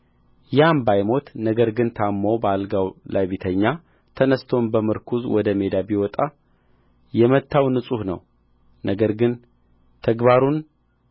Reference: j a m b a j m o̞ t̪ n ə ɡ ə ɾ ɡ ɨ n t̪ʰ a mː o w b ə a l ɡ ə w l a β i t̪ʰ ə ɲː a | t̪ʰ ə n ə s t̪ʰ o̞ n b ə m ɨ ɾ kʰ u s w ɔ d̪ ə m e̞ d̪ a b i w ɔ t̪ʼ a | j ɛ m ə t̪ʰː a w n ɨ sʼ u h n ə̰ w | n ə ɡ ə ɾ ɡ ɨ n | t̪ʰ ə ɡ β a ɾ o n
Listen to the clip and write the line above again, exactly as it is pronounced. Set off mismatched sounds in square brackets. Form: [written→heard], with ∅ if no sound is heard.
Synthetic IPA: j a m b a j m o̞ t̪ n ə ɡ ə ɾ ɡ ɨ n t̪ʰ a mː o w b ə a l ɡ [ə→a] w l a β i t̪ʰ ə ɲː a | t̪ʰ ə n ə s t̪ʰ o̞ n b ə m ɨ ɾ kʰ u [s→z] w ɔ d̪ ə m e̞ d̪ a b i w ɔ t̪ʼ a | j ɛ m ə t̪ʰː a w n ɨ sʼ u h n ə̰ w | n ə ɡ ə ɾ ɡ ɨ n | t̪ʰ ə ɡ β a ɾ [o→u] n